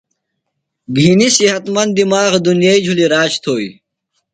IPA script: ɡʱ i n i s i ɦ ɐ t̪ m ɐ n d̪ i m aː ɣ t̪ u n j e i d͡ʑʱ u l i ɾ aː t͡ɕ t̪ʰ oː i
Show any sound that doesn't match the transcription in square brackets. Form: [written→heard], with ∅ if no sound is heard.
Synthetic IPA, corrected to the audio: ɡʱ i n i s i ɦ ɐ t̪ m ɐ n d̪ i m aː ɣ [t̪→d̪] u n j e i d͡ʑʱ u l i ɾ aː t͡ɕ t̪ʰ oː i